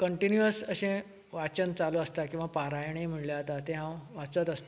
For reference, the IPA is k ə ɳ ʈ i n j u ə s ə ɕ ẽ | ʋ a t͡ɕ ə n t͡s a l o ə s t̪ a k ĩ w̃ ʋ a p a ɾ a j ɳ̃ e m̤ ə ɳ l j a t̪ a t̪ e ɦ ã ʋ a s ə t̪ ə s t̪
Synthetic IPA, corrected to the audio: k ə ɳ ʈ i n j u ə s ə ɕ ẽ | ʋ a t͡ɕ ə n t͡s a l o ə s t̪ a k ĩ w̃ ʋ a p a ɾ a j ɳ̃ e m̤ ə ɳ l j a t̪ a t̪ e ɦ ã ʋ a t͡s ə t̪ ə s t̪